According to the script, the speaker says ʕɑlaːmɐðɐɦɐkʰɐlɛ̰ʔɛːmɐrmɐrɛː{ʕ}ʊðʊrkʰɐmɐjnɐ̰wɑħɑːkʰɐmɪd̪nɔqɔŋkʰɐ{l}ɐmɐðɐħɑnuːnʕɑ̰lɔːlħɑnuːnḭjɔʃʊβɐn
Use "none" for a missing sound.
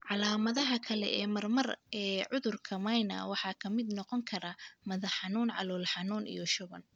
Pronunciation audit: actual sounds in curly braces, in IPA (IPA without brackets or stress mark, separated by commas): ʕ, ɾ